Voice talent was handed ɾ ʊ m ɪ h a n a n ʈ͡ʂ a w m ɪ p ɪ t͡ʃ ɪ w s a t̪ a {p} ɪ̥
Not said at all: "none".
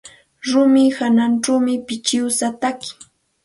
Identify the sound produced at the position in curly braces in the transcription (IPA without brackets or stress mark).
k